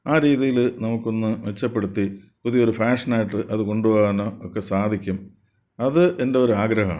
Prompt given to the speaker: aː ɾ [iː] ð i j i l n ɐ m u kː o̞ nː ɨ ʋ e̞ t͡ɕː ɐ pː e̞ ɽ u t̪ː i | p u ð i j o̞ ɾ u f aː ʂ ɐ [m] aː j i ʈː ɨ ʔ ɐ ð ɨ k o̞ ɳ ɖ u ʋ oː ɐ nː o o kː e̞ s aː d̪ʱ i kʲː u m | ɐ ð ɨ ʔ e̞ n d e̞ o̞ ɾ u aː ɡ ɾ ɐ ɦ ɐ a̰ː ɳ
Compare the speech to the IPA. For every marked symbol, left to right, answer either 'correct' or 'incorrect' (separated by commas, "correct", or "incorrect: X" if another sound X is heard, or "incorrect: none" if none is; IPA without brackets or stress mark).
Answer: correct, incorrect: n